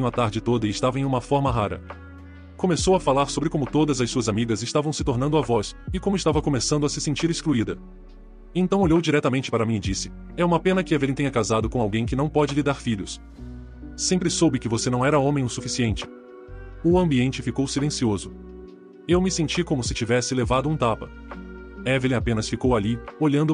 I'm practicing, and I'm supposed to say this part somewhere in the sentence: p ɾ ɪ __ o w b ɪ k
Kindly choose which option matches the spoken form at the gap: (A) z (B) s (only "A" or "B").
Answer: B